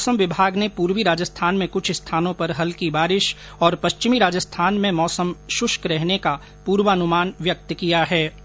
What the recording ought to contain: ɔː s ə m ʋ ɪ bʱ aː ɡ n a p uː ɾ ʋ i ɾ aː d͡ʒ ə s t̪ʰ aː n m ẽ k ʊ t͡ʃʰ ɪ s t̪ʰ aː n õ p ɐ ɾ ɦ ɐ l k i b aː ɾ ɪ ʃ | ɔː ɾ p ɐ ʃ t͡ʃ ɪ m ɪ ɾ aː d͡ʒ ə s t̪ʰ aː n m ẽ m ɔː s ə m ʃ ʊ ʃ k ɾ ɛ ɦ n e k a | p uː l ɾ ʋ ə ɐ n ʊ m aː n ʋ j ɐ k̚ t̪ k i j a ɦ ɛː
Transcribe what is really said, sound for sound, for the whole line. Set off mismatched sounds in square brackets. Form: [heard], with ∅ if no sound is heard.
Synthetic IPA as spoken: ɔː s ə m ʋ ɪ bʱ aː ɡ n [e] p uː ɾ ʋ i ɾ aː d͡ʒ ə s t̪ʰ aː n m ẽ k ʊ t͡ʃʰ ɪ s t̪ʰ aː n õ p ɐ ɾ ɦ ɐ l k i b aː ɾ ɪ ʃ | ɔː ɾ p ɐ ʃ t͡ʃ ɪ m [i] ɾ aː d͡ʒ ə s t̪ʰ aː n m ẽ m ɔː s ə m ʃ ʊ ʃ k ɾ ɛ ɦ n e k a | p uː [∅] ɾ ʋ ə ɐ n ʊ m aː n ʋ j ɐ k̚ t̪ k i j a ɦ ɛː